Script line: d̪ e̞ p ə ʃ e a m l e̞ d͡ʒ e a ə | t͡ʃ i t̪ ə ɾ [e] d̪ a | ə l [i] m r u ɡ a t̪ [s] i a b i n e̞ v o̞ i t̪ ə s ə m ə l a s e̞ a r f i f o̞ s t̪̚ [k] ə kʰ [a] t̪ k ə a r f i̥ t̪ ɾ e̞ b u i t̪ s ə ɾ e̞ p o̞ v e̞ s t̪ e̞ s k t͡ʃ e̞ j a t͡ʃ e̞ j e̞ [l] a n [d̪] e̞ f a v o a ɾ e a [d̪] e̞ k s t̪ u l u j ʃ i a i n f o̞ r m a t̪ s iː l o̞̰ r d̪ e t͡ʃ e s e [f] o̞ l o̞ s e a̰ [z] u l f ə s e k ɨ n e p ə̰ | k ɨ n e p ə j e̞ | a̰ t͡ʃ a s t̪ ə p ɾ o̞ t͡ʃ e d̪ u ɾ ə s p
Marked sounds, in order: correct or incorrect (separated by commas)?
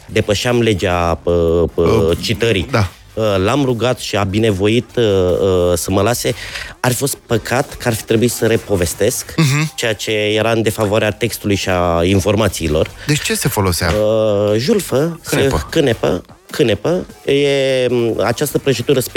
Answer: incorrect, incorrect, incorrect, incorrect, correct, incorrect, correct, incorrect, correct, incorrect